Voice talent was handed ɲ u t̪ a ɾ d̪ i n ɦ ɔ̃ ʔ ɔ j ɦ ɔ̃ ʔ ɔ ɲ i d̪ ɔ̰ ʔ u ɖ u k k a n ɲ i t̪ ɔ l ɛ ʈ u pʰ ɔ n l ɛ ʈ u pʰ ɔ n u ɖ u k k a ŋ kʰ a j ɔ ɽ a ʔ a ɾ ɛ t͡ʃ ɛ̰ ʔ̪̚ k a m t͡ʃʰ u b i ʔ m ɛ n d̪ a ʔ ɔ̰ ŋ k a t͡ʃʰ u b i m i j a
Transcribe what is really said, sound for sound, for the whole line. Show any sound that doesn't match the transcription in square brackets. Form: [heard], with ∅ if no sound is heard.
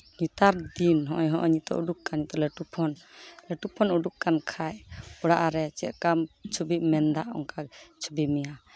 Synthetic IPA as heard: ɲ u t̪ a ɾ d̪ i n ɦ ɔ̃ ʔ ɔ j ɦ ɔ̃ ʔ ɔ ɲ i [t̪] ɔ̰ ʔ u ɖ u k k a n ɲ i t̪ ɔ l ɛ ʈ u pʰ ɔ n l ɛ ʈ u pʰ ɔ n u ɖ u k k a [n] kʰ a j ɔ ɽ a ʔ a ɾ ɛ t͡ʃ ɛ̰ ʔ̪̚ k a m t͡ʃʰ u b i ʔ m ɛ n d̪ a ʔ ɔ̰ ŋ k a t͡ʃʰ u b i m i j a